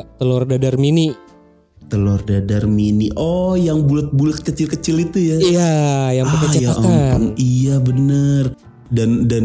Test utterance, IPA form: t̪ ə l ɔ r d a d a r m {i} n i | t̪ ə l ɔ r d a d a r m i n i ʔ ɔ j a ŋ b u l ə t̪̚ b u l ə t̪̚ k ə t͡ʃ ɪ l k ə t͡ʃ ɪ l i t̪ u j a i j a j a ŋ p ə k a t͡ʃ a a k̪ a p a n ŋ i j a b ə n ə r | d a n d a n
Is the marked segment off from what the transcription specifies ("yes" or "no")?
no